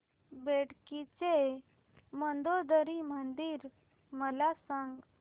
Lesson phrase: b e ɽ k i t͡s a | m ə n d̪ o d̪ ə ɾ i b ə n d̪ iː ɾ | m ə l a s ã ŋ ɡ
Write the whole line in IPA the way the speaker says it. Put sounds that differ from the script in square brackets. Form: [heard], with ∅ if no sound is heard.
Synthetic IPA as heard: b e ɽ k i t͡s [e] | m ə n d̪ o d̪ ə ɾ i [m] ə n d̪ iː ɾ | m ə l a s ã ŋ ɡ